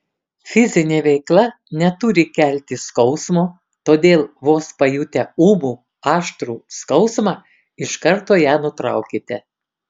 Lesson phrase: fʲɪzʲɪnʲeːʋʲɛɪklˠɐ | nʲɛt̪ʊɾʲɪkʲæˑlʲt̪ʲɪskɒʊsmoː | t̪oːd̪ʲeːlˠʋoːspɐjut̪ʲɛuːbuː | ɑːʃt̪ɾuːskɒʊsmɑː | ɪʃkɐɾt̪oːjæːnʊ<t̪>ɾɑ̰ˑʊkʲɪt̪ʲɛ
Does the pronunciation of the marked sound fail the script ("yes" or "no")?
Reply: no